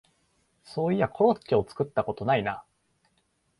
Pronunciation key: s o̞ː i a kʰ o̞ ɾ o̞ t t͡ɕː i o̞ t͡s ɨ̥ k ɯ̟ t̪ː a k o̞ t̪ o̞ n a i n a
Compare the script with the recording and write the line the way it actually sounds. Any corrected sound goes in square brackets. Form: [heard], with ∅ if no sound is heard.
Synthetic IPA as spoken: s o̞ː i a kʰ o̞ ɾ o̞ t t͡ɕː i o̞ t͡s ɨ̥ k ɯ̟ t̪ː a k o̞ t̪ o̞ n a i n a